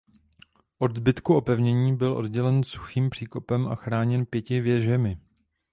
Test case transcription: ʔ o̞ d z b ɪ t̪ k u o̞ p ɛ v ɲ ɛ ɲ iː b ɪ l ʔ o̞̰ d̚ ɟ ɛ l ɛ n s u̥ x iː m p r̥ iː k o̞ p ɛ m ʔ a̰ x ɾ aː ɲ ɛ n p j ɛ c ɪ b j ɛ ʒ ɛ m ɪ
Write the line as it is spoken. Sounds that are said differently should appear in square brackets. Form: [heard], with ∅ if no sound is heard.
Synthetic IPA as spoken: ʔ o̞ d z b ɪ t̪ k u o̞ p ɛ v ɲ ɛ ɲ iː b ɪ l ʔ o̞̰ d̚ ɟ ɛ l ɛ n s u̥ x iː m p r̥ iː k o̞ p ɛ m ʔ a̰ x ɾ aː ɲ ɛ n p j ɛ c ɪ [v] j ɛ ʒ ɛ m ɪ